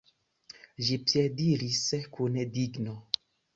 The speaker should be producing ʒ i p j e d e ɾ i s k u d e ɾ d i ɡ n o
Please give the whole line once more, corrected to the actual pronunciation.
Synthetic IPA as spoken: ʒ i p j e d i ɾ i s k u n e d i ɡ n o